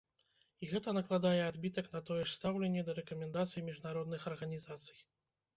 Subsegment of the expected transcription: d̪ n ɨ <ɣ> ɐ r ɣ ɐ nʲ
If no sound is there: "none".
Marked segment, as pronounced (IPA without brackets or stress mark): x